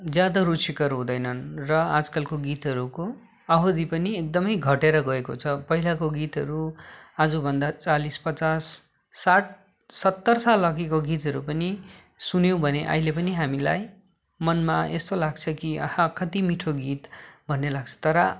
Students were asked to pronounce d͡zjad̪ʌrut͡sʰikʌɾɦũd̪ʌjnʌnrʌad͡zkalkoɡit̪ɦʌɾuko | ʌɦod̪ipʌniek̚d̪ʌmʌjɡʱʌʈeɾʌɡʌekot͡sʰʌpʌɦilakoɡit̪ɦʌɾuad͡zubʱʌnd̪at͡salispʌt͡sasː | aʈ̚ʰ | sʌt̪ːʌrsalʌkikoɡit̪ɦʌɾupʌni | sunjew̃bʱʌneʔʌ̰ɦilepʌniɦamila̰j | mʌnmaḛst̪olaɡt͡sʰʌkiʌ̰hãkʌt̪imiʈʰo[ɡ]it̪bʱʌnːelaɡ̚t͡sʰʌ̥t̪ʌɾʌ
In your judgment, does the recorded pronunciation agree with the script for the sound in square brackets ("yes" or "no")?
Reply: yes